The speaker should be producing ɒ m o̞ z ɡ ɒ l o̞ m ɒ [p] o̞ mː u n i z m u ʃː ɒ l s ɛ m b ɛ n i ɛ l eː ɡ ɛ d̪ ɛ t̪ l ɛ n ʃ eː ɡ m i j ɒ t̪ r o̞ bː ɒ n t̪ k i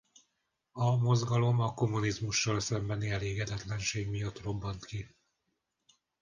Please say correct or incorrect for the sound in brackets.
incorrect